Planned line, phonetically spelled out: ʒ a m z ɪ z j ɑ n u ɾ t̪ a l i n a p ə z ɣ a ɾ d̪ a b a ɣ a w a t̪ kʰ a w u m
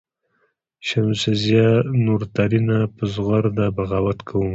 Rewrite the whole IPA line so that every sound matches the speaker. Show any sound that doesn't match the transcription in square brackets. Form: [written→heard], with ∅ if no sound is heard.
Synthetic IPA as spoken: [ʒ→ʃ] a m [z→s] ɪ z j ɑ n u ɾ t̪ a [l→ɾ] i n a p ə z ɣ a ɾ d̪ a b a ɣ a w a t̪ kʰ a w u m